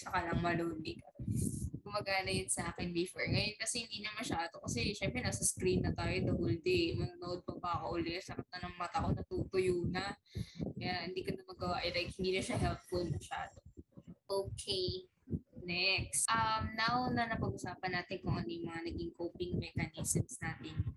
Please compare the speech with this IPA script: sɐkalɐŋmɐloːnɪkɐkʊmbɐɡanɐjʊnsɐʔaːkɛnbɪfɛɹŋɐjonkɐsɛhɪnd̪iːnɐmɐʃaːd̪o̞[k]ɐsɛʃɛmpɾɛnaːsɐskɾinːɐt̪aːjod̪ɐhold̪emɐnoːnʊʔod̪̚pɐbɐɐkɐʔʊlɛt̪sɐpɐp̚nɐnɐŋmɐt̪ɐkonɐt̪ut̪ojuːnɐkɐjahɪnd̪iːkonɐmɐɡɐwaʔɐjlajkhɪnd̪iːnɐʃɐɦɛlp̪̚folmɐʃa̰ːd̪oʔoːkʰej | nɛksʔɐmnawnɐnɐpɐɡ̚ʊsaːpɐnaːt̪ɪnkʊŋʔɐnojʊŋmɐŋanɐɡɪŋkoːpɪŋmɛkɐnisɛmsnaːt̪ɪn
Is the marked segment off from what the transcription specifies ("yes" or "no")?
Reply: no